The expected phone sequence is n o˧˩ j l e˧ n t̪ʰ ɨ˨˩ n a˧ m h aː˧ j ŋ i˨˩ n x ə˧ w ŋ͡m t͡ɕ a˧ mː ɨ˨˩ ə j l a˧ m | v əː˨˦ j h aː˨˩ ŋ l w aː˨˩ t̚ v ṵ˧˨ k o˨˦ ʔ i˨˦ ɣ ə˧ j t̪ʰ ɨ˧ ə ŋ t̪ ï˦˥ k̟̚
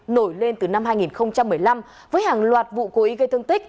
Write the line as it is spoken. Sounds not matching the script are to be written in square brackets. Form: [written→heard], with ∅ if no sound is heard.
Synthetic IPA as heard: n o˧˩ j l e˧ n [t̪ʰ→t̪] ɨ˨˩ n a˧ m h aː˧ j ŋ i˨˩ n x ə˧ w ŋ͡m t͡ɕ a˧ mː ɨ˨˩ ə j l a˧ m | v əː˨˦ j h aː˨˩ ŋ l w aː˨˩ t̚ v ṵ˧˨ k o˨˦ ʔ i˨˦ ɣ ə˧ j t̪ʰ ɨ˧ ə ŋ t̪ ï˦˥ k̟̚